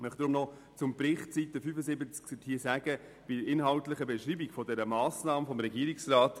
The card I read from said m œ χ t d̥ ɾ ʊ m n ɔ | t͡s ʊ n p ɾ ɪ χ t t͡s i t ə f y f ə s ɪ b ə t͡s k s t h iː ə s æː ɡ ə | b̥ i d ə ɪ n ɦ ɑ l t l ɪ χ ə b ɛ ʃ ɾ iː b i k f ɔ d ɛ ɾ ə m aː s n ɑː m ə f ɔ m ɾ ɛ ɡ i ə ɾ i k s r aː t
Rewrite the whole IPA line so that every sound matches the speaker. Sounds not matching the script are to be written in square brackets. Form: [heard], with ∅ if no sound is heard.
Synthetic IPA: m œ χ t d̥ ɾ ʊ m n ɔ | t͡s ʊ [m] p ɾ ɪ χ t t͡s i t ə f y f ə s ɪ b ə t͡s k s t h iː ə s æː ɡ ə | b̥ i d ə ɪ n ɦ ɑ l t l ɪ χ ə b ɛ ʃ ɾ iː b i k f ɔ d ɛ ɾ ə m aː s n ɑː m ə f ɔ m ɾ ɛ ɡ i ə ɾ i k s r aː t